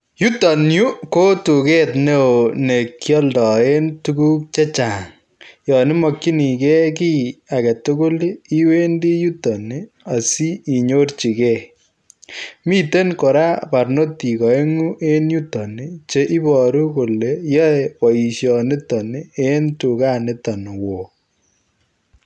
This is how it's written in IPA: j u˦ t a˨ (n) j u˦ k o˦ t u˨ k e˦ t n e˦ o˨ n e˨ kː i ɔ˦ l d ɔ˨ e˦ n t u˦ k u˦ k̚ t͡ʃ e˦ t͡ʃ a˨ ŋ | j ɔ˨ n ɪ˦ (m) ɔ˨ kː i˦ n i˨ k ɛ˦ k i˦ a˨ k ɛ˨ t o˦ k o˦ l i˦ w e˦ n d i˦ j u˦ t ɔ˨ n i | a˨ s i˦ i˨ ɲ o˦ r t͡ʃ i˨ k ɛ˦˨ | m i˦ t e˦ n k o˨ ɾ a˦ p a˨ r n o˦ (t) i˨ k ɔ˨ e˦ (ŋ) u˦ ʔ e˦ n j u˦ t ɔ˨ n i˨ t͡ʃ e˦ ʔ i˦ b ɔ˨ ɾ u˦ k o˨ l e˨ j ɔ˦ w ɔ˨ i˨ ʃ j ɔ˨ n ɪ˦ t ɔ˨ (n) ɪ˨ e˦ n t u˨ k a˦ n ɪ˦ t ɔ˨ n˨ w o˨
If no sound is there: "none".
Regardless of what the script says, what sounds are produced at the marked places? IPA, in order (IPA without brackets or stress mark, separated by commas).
n, m, t, ŋ, n